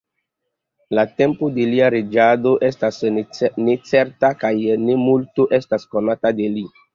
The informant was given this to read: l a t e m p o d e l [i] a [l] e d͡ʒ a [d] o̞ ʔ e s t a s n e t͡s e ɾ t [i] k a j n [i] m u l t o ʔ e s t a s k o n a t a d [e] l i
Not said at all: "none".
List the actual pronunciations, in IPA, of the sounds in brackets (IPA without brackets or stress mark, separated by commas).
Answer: i, ɾ, d, a, e, e